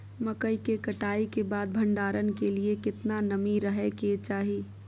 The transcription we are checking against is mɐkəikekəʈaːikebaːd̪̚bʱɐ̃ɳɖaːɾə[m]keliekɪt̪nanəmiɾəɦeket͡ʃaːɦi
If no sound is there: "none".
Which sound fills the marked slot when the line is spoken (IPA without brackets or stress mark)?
n